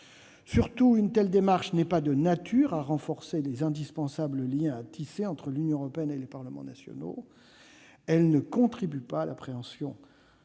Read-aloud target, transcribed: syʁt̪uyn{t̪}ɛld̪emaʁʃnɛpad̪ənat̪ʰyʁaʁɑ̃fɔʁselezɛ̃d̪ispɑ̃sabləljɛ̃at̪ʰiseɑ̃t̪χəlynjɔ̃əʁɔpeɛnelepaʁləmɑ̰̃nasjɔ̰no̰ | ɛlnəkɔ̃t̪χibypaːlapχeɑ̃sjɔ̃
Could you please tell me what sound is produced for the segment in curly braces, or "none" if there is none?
t̪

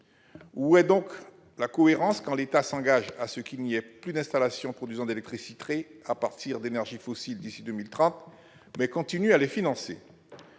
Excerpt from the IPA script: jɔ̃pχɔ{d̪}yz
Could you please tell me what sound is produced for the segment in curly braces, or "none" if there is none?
d̪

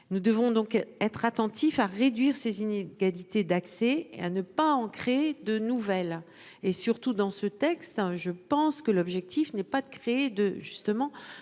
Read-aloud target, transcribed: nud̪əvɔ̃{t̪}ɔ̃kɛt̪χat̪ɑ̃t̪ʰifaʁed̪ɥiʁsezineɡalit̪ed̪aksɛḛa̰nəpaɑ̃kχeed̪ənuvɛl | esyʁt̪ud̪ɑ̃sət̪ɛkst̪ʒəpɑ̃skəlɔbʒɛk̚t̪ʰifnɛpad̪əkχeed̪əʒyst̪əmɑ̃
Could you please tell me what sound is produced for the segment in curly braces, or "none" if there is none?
d̪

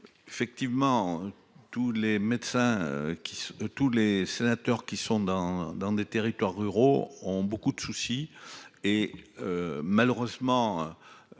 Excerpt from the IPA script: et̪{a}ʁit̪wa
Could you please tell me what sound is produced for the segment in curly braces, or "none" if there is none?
e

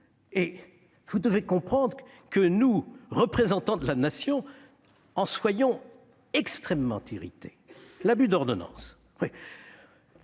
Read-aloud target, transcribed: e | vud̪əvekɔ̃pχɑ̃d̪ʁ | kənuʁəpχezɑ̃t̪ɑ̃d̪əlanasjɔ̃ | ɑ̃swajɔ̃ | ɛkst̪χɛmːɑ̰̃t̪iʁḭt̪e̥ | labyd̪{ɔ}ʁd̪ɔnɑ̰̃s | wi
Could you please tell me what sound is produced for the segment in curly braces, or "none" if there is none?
ɔ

